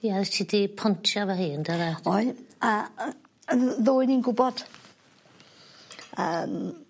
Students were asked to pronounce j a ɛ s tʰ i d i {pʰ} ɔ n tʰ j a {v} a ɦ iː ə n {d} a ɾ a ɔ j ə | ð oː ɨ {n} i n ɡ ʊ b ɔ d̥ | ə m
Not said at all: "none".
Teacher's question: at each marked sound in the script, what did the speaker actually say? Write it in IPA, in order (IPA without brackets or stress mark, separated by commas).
pʰ, v, d, n